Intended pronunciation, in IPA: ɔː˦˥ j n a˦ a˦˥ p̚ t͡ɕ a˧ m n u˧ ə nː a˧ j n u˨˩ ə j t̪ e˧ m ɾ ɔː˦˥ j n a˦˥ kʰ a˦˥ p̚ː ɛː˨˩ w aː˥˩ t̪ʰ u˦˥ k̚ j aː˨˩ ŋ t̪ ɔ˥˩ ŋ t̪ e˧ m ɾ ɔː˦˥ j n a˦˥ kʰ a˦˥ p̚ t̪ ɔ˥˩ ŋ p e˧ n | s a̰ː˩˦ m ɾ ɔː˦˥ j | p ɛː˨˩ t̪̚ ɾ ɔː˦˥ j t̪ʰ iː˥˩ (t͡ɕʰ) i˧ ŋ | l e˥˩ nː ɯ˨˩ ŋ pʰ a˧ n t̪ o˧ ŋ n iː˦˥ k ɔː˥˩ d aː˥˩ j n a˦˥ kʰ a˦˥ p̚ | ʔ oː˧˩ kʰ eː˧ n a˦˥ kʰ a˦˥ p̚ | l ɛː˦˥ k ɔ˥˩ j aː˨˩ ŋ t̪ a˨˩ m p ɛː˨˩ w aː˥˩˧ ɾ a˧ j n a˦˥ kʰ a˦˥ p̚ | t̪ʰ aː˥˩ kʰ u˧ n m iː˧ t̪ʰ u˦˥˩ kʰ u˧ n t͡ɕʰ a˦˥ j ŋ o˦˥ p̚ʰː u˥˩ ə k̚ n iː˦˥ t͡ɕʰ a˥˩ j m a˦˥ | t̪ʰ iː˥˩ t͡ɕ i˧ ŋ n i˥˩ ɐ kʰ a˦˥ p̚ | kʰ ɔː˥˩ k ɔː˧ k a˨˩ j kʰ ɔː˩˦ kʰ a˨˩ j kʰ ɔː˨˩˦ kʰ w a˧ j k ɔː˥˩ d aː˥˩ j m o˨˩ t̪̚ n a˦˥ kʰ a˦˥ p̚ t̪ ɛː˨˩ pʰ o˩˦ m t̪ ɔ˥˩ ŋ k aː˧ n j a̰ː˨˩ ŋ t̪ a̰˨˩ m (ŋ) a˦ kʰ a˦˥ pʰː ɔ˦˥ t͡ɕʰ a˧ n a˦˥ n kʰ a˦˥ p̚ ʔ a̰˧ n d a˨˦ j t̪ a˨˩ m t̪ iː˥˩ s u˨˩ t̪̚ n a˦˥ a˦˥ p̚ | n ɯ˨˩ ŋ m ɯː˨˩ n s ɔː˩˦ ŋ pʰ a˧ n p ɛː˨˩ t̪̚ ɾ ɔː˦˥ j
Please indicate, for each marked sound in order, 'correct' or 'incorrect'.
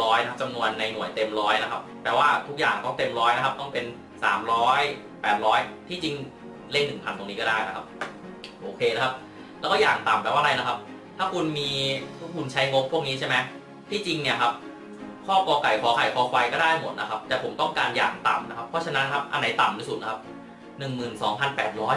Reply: incorrect, incorrect

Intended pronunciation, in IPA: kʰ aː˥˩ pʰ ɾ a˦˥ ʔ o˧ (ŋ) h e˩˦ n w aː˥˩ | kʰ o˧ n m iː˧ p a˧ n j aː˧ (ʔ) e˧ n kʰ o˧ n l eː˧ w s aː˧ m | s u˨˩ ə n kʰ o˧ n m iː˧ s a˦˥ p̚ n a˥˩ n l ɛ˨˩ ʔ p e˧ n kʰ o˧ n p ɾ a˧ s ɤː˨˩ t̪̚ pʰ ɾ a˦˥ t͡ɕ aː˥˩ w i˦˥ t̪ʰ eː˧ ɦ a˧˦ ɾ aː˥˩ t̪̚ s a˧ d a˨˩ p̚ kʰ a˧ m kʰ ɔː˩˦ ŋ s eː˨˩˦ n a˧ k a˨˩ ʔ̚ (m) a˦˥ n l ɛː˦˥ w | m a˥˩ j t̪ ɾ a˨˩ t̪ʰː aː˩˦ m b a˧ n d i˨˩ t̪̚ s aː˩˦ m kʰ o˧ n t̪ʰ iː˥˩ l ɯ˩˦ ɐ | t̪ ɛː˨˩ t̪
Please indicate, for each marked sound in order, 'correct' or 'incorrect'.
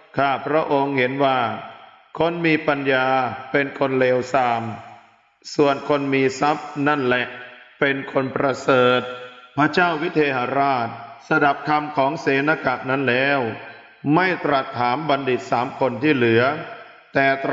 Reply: correct, incorrect, incorrect

